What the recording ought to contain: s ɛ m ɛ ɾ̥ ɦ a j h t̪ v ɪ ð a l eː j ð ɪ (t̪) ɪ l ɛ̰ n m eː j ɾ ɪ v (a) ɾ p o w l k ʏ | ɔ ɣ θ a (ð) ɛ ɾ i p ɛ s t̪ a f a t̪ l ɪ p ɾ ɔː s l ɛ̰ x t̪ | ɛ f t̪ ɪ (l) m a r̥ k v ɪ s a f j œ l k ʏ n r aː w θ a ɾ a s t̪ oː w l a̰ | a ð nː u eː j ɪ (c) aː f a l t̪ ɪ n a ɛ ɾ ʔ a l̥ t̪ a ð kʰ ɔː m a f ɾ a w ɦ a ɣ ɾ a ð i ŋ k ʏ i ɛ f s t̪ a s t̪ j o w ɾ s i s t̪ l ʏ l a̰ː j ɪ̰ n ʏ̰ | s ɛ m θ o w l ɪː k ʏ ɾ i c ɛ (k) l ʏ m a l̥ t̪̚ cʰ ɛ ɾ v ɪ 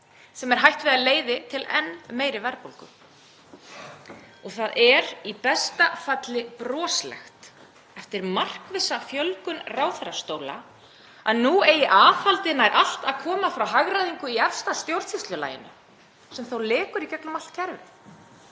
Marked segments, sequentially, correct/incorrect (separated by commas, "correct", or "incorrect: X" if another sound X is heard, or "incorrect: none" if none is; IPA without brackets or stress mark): incorrect: t̪ʰ, incorrect: ɛ, correct, incorrect: ɾ, incorrect: ʔ, correct